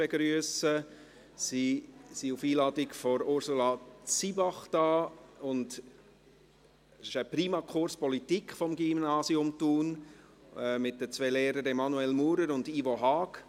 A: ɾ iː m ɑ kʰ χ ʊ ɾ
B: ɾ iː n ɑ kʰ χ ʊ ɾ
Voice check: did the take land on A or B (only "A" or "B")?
A